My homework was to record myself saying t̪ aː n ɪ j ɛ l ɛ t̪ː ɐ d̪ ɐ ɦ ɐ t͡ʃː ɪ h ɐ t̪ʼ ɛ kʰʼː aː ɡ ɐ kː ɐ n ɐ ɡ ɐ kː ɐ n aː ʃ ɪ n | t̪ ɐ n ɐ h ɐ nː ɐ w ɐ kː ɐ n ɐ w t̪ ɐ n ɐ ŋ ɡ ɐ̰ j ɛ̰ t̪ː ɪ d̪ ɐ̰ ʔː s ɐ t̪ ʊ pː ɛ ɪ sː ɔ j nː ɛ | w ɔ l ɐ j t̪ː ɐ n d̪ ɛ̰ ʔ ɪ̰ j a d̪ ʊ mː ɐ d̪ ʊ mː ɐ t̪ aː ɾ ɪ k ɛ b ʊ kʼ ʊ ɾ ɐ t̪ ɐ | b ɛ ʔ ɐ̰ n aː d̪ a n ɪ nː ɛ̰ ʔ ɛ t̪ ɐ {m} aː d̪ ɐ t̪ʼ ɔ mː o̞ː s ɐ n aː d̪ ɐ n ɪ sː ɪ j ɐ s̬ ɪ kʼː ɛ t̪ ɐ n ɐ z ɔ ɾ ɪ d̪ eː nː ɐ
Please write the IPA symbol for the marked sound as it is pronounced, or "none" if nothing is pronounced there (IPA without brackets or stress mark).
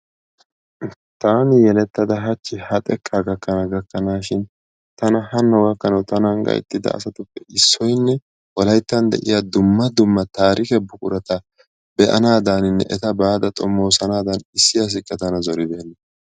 b